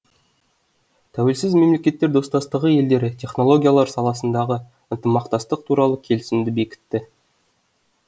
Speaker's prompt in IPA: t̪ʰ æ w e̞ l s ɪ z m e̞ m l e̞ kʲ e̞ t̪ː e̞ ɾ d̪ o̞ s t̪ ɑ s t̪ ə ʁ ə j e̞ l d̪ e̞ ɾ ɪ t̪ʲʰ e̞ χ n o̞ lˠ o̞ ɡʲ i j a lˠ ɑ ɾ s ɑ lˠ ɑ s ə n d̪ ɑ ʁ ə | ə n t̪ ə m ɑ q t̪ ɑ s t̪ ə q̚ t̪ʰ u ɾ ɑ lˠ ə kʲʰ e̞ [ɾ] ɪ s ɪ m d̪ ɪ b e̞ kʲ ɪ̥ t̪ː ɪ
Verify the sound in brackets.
incorrect: l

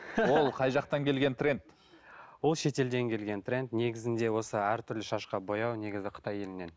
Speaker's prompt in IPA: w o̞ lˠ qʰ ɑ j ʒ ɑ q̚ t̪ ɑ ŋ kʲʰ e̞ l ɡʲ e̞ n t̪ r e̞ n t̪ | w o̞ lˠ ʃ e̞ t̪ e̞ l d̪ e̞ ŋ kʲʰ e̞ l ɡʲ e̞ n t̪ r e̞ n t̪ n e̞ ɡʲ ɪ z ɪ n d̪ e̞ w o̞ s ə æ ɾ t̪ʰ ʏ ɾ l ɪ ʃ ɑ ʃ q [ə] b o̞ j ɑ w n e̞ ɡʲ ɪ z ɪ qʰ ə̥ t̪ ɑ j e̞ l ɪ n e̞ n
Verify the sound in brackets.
incorrect: ɑ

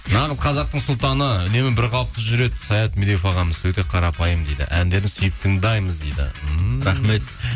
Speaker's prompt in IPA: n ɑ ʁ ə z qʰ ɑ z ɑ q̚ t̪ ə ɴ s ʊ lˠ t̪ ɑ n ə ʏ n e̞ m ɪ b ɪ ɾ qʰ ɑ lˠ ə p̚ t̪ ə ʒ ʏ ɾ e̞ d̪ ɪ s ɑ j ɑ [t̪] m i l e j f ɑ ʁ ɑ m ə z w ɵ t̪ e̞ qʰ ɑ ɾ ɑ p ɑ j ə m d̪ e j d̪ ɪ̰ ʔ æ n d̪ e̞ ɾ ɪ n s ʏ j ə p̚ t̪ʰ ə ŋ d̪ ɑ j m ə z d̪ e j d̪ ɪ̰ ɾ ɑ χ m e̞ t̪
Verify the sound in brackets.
correct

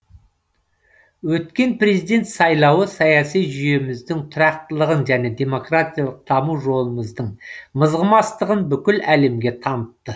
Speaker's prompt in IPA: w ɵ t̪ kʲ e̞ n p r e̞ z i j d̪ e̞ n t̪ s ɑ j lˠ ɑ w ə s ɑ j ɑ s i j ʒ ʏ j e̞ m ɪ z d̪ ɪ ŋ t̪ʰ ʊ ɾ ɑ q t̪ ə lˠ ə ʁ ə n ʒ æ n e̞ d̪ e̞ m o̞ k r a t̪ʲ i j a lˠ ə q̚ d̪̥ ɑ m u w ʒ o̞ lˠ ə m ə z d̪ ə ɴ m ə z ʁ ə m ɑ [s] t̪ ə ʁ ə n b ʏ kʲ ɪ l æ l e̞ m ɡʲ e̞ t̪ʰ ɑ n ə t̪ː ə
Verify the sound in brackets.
correct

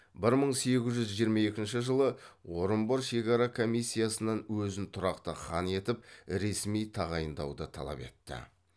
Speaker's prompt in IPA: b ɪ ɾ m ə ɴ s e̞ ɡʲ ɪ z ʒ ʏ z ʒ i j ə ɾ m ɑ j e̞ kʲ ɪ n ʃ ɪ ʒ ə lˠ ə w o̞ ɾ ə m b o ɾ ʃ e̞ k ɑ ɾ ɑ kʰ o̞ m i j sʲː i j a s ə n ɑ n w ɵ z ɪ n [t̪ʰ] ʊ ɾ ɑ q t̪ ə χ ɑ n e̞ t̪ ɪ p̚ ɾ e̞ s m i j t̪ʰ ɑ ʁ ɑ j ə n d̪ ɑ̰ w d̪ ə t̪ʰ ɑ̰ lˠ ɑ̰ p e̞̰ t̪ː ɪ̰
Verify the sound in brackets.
correct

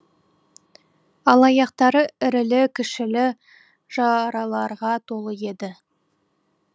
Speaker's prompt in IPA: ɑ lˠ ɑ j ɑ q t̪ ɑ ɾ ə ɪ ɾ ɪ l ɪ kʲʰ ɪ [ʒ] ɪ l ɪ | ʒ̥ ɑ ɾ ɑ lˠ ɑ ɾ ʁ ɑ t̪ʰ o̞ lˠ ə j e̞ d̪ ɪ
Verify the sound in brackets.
incorrect: ʃ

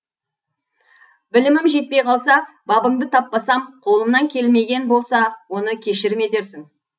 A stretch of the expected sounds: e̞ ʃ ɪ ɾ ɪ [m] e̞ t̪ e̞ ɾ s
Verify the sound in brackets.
correct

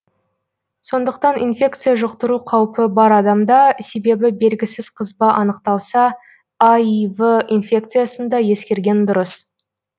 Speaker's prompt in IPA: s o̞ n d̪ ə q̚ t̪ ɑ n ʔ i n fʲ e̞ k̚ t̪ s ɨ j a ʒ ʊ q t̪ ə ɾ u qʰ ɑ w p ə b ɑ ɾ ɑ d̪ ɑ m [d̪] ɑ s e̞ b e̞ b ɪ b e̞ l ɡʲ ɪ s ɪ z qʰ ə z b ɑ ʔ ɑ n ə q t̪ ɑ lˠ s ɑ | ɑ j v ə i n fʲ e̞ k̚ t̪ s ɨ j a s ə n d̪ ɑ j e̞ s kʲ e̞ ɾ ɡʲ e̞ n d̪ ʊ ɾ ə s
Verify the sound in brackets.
correct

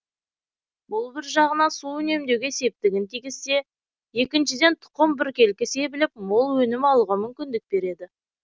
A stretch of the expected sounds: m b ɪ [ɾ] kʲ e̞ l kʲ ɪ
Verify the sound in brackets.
correct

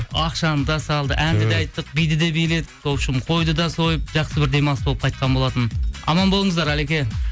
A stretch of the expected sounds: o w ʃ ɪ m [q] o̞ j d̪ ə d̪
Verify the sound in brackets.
incorrect: qʰ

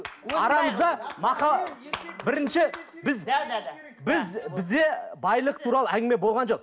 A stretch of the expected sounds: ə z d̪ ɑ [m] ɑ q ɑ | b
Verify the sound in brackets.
correct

